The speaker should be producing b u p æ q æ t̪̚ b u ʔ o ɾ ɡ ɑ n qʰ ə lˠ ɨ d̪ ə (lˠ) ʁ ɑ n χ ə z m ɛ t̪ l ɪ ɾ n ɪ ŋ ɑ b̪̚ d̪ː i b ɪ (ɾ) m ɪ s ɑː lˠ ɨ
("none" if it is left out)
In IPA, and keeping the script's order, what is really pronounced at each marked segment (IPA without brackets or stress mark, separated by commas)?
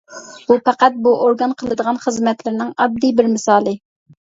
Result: none, ɾ